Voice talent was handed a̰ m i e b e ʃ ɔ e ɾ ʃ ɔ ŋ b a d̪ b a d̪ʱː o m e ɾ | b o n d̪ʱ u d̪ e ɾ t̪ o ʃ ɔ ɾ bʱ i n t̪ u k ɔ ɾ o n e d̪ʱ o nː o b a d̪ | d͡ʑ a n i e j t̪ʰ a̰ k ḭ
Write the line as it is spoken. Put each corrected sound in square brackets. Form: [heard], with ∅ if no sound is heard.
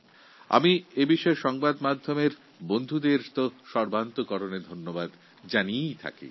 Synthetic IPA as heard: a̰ m i e b [i] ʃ ɔ e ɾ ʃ ɔ ŋ b a d̪ [m] a d̪ʱː o m e ɾ | b o n d̪ʱ u d̪ e ɾ t̪ o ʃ ɔ ɾ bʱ [a] n t̪ [o] k ɔ ɾ o n e d̪ʱ o nː o b a d̪ | d͡ʑ a n i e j t̪ʰ a̰ k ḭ